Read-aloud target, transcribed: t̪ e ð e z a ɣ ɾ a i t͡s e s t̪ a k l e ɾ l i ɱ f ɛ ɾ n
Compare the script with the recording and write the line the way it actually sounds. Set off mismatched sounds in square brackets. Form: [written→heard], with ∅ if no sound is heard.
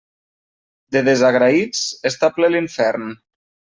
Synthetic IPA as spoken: [t̪→d̪] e ð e z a ɣ ɾ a i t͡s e s t̪ a [k→p] l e [ɾ→∅] l i ɱ f ɛ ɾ n